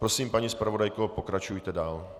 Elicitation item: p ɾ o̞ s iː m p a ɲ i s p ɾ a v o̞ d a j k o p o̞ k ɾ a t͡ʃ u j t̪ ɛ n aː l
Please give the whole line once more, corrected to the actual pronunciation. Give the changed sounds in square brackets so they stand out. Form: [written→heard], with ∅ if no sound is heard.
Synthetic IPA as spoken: p ɾ o̞ s iː m p a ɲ i s p ɾ a v o̞ d a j k o p o̞ k ɾ a t͡ʃ u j t̪ ɛ [n→d] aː l